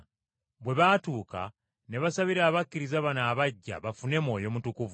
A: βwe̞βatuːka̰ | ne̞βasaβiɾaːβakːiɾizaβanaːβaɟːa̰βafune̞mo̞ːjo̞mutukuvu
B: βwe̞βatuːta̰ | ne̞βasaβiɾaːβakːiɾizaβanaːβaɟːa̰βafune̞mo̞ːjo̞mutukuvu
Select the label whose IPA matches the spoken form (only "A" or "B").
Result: A